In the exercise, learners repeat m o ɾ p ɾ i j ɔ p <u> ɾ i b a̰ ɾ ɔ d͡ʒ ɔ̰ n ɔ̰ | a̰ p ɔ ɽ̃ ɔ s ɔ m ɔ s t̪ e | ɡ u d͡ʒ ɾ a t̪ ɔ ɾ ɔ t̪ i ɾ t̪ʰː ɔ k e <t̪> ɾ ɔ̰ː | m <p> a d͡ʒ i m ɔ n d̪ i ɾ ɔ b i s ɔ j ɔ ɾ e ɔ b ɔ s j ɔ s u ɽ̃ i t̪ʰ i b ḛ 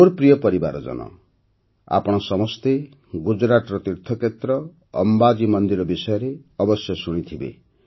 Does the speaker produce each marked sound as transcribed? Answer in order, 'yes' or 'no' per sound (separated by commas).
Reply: no, yes, no